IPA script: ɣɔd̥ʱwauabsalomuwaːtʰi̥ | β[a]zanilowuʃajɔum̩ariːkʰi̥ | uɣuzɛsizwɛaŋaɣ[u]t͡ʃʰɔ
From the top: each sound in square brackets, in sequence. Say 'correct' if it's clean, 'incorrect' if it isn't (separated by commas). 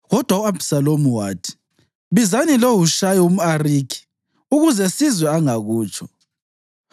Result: incorrect, incorrect